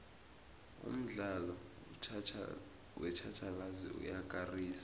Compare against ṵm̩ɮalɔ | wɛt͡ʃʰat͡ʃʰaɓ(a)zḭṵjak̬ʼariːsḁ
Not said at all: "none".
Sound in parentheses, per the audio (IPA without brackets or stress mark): a